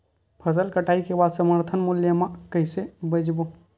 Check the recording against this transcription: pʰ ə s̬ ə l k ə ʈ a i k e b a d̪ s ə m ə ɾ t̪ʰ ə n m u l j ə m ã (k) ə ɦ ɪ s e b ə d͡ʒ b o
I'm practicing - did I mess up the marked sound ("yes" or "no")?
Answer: no